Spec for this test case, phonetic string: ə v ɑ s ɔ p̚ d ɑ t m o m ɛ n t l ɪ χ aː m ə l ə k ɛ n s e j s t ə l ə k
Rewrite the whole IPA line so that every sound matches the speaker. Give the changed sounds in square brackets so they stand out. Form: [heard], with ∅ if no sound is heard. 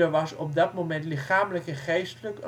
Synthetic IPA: ə [ʋ] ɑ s ɔ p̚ d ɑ t m o m ɛ n t l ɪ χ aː m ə l ə k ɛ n [χ] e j s t ə l ə k